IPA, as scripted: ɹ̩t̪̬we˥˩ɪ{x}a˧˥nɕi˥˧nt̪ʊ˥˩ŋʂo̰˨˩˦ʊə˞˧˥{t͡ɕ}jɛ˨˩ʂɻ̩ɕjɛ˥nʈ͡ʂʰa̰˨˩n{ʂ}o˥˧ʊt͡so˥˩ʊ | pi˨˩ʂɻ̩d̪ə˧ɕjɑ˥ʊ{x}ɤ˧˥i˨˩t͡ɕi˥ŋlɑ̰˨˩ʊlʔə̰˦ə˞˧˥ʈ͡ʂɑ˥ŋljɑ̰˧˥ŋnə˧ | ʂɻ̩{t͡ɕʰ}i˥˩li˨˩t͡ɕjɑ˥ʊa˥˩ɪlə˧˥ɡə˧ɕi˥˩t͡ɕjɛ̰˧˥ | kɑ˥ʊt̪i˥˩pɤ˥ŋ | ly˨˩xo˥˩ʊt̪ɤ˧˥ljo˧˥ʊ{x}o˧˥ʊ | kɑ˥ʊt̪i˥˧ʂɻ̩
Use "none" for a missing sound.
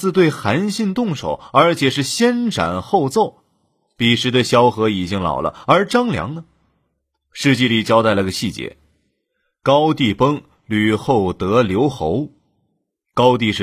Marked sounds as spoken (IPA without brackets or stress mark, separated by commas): x, t͡ɕʰ, x, x, t͡ɕ, x